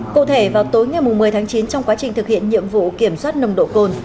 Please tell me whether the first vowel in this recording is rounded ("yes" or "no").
yes